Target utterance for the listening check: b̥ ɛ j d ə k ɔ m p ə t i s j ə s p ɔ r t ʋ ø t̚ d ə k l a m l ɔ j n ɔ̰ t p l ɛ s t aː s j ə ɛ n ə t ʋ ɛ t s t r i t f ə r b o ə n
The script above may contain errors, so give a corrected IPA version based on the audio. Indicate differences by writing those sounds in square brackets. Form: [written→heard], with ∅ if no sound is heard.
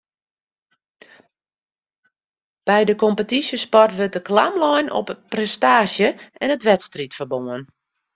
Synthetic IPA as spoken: b̥ ɛ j d ə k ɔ m p ə t i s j ə s p ɔ r t ʋ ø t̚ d ə k l a m l ɔ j n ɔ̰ [t→p] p [l→r] ɛ s t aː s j ə ɛ n ə t ʋ ɛ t s t r i t f ə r b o ə n